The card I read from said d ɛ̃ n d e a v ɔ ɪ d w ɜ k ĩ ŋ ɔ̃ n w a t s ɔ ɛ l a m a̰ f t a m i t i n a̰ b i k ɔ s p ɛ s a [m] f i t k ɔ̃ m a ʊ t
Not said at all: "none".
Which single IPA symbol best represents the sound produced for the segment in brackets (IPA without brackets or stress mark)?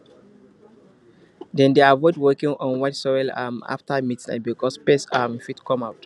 m